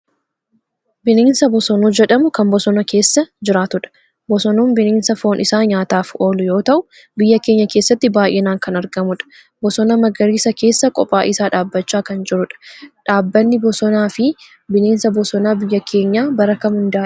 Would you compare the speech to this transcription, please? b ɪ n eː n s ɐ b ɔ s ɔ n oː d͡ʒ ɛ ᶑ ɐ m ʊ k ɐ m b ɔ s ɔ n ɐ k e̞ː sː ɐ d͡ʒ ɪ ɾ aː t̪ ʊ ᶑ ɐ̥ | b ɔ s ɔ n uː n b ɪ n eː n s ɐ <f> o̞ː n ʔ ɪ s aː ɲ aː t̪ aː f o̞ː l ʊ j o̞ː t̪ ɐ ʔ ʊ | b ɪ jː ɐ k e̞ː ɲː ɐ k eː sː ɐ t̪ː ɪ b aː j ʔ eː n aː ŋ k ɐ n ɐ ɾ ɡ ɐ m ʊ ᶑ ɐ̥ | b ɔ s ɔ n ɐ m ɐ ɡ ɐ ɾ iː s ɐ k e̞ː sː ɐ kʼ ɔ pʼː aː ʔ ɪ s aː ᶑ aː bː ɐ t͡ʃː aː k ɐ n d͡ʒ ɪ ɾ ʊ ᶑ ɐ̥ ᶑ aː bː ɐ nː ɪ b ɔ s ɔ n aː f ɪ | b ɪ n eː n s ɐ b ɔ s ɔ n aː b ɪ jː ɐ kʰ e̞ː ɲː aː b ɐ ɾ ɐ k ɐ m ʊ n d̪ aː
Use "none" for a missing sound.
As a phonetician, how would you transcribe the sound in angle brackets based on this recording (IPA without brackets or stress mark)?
f